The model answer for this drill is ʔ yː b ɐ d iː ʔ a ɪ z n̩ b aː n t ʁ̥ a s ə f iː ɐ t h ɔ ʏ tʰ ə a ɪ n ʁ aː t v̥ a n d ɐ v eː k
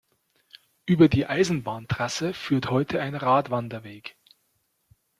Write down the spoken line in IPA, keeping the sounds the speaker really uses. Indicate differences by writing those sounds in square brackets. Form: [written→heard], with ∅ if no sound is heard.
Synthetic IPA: ʔ yː b ɐ d iː ʔ a ɪ z n̩ b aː n t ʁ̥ a s ə f [iː→yː] ɐ t h ɔ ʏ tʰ ə a ɪ n ʁ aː t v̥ a n d ɐ v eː k